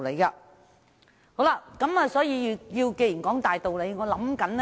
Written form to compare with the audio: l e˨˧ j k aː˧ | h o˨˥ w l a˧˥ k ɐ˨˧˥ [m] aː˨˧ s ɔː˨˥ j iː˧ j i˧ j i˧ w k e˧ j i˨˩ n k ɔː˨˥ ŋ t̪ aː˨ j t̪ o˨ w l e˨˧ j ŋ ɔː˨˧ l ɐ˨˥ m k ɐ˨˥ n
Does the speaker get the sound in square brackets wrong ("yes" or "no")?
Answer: no